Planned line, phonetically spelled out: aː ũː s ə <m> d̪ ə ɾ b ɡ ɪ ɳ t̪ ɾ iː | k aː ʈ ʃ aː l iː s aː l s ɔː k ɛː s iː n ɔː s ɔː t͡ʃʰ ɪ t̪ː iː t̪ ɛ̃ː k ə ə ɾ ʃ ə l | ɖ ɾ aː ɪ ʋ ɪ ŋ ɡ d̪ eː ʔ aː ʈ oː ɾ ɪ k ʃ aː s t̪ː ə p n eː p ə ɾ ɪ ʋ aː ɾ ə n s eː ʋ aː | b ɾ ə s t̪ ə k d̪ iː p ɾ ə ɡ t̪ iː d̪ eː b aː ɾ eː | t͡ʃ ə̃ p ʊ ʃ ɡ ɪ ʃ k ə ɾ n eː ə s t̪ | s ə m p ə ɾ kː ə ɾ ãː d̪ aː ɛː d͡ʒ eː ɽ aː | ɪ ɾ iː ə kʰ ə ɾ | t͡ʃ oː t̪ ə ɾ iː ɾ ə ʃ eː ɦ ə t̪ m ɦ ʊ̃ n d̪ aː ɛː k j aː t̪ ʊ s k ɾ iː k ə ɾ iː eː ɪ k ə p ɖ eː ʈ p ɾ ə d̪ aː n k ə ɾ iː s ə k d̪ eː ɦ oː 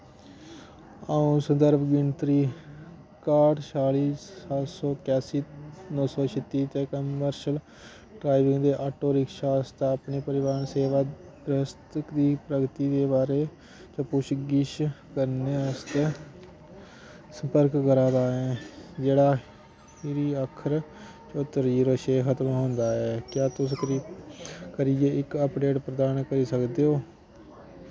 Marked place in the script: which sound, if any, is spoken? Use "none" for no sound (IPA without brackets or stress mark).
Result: n